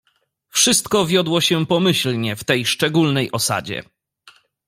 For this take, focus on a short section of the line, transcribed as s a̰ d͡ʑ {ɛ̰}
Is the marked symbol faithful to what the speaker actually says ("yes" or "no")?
yes